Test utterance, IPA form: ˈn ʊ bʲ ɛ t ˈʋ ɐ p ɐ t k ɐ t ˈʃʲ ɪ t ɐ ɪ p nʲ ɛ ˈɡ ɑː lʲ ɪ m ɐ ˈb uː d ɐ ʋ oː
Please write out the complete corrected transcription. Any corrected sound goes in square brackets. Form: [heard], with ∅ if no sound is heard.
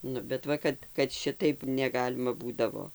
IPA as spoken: ˈn ʊ bʲ ɛ t ˈʋ ɐ [k] ɐ t k ɐ t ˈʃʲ ɪ t ɐ ɪ p nʲ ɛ ˈɡ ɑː lʲ ɪ m ɐ ˈb uː d ɐ ʋ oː